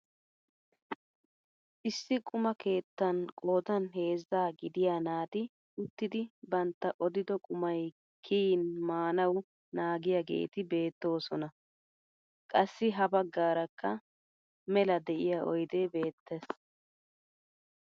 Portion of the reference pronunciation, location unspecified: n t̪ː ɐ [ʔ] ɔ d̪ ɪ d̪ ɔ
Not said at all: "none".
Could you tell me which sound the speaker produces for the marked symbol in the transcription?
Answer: ʔ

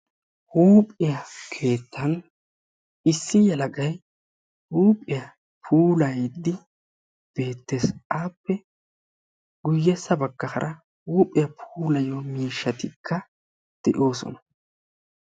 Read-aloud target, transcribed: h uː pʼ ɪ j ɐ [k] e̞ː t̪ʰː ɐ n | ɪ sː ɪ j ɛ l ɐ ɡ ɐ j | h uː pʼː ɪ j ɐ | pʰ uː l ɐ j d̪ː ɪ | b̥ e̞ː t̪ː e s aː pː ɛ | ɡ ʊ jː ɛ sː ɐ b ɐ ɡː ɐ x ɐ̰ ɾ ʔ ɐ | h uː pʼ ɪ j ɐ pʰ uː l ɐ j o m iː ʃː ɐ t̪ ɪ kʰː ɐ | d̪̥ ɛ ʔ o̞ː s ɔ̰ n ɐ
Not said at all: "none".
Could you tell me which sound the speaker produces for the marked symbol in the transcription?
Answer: kʰ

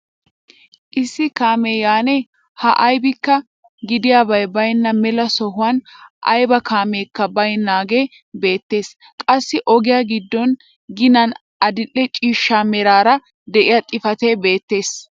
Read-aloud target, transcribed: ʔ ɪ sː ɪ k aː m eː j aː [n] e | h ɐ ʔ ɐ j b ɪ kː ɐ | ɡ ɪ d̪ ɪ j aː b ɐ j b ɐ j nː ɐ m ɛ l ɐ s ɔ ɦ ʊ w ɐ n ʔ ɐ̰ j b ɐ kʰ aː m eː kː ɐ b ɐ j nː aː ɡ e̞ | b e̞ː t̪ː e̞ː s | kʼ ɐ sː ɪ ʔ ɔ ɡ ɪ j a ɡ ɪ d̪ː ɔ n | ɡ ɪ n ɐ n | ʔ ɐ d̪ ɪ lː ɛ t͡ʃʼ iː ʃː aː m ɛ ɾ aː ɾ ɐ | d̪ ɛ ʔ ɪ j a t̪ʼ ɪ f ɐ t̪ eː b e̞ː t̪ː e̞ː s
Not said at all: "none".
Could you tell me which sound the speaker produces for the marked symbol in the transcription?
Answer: n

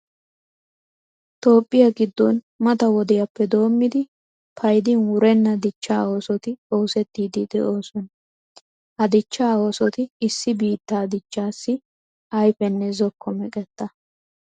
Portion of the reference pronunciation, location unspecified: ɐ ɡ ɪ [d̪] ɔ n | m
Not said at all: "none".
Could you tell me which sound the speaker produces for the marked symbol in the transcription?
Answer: d̪ː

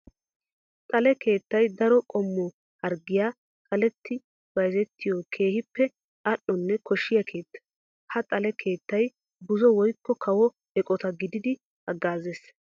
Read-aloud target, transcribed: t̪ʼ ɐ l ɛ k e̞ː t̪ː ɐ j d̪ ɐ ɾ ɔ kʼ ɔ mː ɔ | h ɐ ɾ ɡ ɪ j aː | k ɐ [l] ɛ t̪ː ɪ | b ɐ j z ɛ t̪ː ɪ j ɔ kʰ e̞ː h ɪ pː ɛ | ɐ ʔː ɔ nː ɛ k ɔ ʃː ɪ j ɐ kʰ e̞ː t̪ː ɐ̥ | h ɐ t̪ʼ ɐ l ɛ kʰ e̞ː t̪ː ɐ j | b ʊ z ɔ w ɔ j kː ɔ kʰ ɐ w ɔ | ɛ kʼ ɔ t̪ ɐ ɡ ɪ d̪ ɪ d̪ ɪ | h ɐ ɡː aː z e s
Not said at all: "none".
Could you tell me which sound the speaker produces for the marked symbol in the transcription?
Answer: l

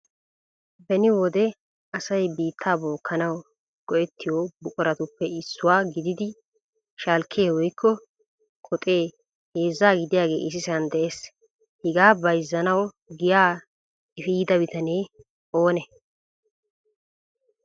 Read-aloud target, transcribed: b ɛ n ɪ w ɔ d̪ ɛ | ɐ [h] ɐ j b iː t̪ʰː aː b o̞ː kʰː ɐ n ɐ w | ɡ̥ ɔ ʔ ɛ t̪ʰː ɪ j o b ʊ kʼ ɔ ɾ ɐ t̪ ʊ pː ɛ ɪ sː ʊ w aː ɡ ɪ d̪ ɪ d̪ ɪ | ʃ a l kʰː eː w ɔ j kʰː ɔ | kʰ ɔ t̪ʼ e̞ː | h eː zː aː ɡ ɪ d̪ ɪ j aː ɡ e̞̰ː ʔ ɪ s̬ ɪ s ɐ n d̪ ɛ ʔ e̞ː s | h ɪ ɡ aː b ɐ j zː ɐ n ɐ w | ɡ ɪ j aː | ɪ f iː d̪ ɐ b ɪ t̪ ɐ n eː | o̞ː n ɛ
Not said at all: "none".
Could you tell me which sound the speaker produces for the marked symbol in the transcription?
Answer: s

